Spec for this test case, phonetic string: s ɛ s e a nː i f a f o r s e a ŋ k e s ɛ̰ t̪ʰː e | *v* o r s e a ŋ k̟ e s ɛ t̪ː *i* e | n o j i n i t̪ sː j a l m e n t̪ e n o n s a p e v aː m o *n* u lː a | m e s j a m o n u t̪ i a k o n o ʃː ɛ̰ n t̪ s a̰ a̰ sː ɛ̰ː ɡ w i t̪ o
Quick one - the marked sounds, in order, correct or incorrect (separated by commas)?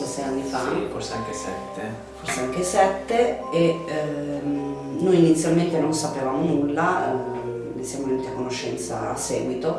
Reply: incorrect, incorrect, correct